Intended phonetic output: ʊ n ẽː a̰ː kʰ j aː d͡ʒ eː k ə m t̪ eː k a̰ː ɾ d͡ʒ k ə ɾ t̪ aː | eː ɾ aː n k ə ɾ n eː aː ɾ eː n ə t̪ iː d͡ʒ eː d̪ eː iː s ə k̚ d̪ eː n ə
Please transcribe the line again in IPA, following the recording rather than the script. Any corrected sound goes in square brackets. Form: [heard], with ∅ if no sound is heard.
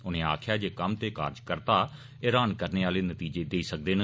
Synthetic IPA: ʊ n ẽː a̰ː kʰ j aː d͡ʒ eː k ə m t̪ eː k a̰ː ɾ d͡ʒ k ə ɾ t̪ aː | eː ɾ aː n k ə ɾ n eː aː [l] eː n ə t̪ iː d͡ʒ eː d̪ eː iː s ə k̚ d̪ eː n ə